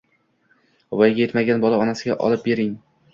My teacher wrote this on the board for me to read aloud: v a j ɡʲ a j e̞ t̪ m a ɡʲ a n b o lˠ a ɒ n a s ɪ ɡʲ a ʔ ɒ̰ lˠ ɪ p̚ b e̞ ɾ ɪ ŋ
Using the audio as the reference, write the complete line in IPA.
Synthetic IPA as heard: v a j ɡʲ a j e̞ t̪ m a ɡʲ a n b ɒ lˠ a ɒ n a s ɪ ɡʲ a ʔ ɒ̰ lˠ ɪ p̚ b e̞ ɾ ɪ ŋ